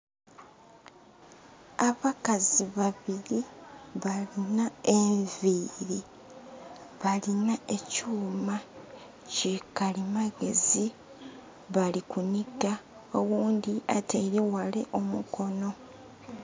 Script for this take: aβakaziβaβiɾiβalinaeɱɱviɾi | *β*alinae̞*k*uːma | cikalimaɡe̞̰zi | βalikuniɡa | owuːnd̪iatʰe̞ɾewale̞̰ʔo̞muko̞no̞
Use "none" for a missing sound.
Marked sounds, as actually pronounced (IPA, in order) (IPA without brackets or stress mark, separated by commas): β, c